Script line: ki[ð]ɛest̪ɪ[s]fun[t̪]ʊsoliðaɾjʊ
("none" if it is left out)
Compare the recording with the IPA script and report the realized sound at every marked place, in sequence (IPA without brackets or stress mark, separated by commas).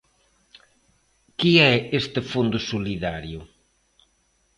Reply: none, none, d̪